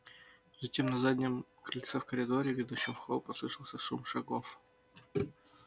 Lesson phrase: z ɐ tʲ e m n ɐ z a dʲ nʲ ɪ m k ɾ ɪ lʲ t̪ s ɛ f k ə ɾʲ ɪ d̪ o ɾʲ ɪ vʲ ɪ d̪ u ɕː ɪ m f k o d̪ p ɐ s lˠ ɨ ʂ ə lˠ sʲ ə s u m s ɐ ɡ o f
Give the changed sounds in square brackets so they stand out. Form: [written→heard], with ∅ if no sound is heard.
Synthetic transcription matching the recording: z ɐ tʲ e m n ɐ z a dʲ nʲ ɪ m k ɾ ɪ lʲ t̪ s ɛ f k ə ɾʲ ɪ d̪ o ɾʲ ɪ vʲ ɪ d̪ u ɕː ɪ m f [k→x] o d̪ p ɐ s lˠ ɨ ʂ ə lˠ sʲ ə s u m [s→ʂ] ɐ ɡ o f